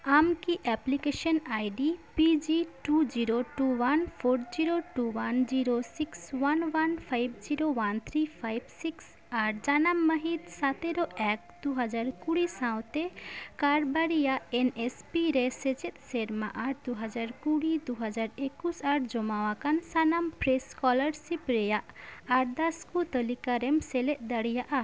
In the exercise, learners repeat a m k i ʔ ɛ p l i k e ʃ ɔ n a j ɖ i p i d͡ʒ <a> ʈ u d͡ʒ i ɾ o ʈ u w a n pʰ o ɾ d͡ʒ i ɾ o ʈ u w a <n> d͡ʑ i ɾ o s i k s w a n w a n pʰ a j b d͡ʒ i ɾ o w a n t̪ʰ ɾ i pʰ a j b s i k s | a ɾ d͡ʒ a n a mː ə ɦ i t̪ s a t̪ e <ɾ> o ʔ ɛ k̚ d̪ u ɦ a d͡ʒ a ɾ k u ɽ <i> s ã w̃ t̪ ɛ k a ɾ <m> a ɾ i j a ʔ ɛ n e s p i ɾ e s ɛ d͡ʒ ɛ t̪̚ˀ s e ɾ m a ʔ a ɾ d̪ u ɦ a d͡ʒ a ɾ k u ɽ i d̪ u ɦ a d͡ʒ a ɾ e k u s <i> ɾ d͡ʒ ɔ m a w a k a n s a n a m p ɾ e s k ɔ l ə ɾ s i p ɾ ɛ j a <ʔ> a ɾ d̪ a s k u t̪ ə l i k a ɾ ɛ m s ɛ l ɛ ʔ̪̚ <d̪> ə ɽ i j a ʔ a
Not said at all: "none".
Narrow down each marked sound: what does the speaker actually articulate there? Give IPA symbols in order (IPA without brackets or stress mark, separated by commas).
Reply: i, n, ɾ, i, b, a, ʔ, d̪